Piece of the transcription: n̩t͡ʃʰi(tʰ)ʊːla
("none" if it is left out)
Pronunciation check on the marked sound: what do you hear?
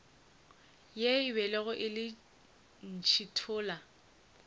tʰ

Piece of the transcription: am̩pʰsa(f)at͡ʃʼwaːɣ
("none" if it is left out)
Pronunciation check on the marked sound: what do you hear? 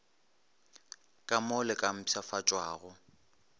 f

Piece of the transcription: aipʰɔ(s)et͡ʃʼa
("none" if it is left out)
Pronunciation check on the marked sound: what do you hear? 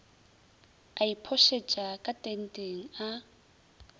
ʃ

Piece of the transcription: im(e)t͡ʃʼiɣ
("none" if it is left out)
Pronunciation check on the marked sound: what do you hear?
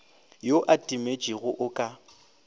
e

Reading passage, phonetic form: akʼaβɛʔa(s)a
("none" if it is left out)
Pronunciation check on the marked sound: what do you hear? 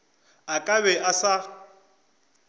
s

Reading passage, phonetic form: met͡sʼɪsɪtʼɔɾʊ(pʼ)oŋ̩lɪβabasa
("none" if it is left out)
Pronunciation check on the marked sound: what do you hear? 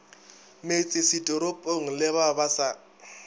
pʼ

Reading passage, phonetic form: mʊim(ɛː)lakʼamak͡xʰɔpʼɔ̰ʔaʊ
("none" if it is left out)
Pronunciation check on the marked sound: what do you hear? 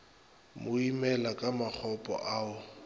ɛ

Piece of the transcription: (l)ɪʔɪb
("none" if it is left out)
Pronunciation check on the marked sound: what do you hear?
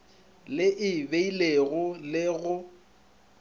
l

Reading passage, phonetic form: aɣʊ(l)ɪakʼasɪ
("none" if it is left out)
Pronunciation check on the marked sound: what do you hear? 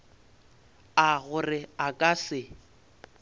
r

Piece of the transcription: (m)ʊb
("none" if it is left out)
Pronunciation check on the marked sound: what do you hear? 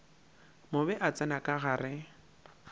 m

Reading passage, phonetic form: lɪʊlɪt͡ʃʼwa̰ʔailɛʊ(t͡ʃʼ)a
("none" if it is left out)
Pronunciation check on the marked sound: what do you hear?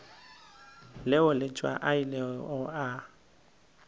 none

